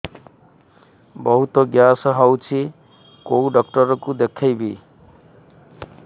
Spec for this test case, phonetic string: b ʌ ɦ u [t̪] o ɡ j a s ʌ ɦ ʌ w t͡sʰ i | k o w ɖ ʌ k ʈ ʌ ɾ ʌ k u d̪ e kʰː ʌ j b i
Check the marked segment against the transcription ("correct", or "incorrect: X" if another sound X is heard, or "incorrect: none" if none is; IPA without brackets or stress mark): correct